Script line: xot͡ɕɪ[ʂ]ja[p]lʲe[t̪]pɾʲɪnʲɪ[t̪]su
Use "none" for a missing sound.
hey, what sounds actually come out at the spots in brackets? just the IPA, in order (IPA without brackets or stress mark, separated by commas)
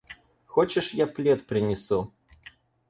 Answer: ʂ, p, t̪, none